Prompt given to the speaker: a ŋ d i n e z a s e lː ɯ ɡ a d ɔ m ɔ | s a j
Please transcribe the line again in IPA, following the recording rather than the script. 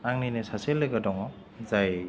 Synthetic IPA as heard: a ŋ n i n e s a s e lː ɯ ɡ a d ɔ ŋ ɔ | z a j

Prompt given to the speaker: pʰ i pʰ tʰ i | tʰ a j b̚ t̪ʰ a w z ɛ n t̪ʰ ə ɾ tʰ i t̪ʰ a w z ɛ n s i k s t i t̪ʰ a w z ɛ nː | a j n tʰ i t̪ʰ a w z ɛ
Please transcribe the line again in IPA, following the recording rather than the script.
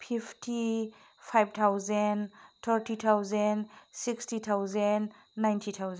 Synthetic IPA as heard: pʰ i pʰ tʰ i | pʰ a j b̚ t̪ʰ a w z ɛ n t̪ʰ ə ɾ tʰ i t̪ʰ a w z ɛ n s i k s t i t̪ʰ a w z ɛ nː | a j n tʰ i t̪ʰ a w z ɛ

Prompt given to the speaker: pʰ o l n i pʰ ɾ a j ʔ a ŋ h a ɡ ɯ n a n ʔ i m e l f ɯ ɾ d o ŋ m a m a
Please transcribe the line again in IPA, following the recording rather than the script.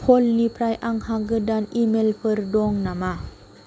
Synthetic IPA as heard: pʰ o l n i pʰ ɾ a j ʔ a ŋ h a ɡ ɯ d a n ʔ i m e l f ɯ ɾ d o ŋ n a m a

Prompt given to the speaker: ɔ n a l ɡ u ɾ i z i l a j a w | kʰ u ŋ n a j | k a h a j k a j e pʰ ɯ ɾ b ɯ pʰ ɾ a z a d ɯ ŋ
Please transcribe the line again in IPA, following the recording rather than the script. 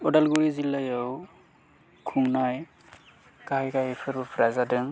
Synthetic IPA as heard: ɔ d a l ɡ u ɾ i z i l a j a w | kʰ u ŋ n a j | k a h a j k a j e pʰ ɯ ɾ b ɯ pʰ ɾ a z a d ɯ ŋ

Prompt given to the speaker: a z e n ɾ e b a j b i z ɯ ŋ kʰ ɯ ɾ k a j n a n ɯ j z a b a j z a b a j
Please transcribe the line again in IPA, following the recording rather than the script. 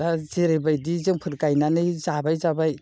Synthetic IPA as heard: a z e ɾ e b a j d i z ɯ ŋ pʰ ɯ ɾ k a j n a n ɯ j z a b a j z a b a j

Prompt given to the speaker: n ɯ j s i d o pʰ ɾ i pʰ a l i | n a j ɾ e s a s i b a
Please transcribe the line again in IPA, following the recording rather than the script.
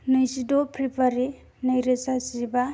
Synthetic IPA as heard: n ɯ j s i d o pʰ ɾ i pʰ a ɾ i | n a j ɾ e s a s i b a

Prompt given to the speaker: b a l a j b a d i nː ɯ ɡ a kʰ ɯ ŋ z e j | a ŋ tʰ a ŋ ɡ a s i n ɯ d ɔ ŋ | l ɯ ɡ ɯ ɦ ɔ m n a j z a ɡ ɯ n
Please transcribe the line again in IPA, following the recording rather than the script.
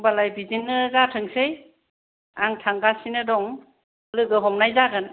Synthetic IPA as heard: b a l a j b i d i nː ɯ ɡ a tʰ ɯ ŋ s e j | a ŋ tʰ a ŋ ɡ a s i n ɯ d ɔ ŋ | l ɯ ɡ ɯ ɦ ɔ m n a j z a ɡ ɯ n

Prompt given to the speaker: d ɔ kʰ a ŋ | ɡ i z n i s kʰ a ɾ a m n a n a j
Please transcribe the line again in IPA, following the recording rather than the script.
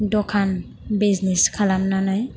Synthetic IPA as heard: d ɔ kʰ a n | b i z n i s kʰ a l a m n a n a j

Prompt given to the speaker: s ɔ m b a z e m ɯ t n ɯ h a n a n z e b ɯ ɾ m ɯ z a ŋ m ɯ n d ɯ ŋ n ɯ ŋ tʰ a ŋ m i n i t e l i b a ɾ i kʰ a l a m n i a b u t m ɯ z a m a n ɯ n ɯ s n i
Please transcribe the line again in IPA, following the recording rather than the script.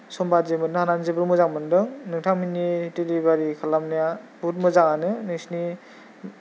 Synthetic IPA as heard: s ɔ m b a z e m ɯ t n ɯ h a n a n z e b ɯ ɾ m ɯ z a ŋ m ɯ n d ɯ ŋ n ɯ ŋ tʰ a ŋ m i n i t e l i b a ɾ i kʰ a l a m n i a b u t m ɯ z a ŋ a n ɯ n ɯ s n i

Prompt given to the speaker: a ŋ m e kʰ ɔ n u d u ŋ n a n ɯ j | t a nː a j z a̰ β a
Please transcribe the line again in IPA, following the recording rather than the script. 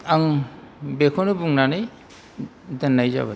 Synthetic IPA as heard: a ŋ b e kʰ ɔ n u b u ŋ n a n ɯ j | d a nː a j z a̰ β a

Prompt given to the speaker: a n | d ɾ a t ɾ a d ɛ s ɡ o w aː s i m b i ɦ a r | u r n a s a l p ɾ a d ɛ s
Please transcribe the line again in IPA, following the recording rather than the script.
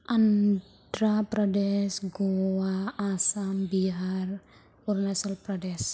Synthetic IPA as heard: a n | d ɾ a p ɾ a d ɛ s ɡ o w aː s a m b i ɦ a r | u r n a s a l p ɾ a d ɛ s

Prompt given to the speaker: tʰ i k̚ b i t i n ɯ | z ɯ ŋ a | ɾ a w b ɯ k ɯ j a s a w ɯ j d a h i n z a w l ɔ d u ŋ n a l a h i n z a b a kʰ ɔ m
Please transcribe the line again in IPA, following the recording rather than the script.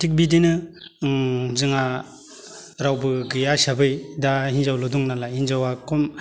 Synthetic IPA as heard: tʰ i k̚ b i d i n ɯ | z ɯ ŋ a | ɾ a w b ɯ ɡ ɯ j a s a b ɯ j d a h i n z a w l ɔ d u ŋ n a l a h i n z a w a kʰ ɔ m

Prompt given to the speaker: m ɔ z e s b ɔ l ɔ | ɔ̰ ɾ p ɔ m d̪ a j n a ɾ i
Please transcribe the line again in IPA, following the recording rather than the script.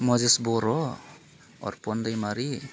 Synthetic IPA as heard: m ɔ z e s b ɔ ɾ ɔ | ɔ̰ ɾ p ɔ n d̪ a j m a ɾ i

